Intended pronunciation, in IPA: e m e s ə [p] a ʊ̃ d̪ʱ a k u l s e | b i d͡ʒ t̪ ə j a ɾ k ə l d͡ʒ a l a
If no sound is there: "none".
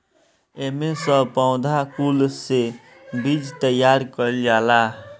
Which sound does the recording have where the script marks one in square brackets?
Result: p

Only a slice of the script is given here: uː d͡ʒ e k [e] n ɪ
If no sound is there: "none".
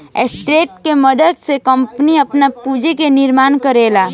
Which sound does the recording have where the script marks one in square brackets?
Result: e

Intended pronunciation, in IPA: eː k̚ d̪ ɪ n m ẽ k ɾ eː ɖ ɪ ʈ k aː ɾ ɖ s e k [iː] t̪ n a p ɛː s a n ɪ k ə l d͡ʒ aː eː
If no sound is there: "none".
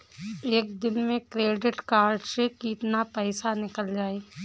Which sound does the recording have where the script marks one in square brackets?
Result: iː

